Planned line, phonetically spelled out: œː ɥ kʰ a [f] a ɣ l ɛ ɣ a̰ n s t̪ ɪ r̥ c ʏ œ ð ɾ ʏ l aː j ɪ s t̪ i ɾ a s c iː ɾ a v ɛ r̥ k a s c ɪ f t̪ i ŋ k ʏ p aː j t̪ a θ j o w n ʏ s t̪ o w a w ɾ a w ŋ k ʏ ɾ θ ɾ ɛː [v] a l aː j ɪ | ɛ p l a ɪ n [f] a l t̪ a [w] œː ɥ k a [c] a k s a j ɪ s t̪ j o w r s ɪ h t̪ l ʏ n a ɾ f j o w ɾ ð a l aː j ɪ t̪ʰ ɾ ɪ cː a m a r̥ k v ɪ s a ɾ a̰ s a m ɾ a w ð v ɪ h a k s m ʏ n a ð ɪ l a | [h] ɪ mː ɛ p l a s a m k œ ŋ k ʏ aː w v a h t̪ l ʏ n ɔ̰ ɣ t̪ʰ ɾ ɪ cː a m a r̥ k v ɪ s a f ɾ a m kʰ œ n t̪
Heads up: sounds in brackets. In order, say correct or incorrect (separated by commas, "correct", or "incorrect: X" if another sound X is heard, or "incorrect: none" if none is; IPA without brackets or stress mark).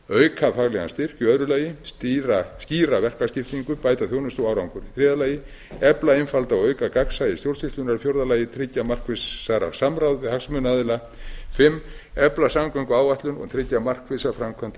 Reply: correct, incorrect: ð, correct, correct, incorrect: k, incorrect: f